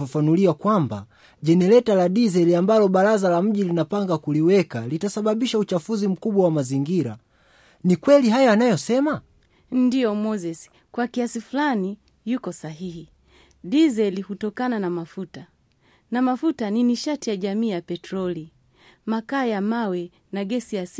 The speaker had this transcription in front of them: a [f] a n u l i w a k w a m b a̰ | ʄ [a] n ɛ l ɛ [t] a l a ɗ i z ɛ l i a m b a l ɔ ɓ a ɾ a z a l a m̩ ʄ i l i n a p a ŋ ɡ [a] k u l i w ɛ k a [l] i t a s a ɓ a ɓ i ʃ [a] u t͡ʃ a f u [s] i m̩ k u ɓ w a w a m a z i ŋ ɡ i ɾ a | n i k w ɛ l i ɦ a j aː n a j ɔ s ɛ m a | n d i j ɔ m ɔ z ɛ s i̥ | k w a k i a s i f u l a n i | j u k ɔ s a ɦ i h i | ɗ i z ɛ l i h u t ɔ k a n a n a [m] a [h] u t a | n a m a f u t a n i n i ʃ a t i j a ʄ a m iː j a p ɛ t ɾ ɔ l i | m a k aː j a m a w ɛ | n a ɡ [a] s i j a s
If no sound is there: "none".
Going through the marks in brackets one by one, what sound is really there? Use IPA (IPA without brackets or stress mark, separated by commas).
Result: f, ɛ, t, a, l, a, z, m, f, ɛ